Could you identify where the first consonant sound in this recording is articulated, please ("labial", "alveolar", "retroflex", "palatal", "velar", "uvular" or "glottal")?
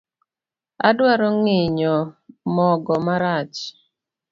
alveolar